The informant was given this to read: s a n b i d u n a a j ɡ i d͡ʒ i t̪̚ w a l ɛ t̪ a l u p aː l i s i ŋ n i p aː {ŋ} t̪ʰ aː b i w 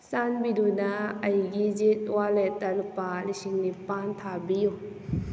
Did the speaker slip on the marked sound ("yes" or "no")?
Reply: yes